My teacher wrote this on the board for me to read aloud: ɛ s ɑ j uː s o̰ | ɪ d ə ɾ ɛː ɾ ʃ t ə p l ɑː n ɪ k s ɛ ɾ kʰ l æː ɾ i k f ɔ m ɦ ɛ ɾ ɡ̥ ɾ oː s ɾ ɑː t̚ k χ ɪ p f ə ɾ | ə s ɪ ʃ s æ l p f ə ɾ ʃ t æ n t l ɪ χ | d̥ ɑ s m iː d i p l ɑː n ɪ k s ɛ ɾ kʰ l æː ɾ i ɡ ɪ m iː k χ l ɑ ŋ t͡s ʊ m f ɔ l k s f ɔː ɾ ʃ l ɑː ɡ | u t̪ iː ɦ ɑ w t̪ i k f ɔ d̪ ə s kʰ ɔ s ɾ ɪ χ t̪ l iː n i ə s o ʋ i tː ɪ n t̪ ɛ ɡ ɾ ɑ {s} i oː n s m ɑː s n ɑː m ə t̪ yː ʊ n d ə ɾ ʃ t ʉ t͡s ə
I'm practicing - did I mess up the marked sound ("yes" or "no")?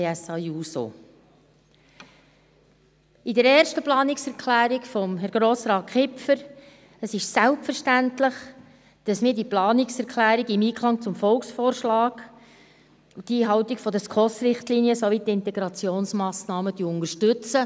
yes